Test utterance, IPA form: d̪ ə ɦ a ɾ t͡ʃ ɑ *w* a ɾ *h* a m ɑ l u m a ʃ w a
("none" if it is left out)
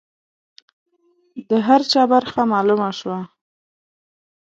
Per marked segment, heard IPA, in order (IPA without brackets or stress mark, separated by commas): b, x